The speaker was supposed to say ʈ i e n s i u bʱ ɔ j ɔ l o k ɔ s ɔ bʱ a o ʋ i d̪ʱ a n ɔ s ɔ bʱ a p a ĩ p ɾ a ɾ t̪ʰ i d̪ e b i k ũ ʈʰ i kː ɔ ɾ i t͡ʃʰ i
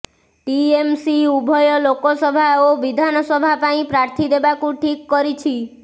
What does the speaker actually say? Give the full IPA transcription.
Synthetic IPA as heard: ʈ i e m s i u bʱ ɔ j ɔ l o k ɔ s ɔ bʱ a o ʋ i d̪ʱ a n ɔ s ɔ bʱ a p a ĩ p ɾ a ɾ t̪ʰ i d̪ e b a k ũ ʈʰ i kː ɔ ɾ i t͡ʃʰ i